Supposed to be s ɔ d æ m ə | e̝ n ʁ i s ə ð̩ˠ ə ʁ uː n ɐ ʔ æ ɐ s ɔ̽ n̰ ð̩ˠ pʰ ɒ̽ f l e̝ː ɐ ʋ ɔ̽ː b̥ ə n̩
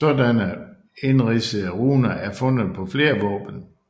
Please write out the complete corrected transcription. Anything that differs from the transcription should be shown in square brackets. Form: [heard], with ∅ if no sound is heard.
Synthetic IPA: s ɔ d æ [n] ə | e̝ n ʁ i s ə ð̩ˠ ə ʁ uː n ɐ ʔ æ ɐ [f] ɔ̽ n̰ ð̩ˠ pʰ ɒ̽ f l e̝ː ɐ ʋ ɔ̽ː b̥ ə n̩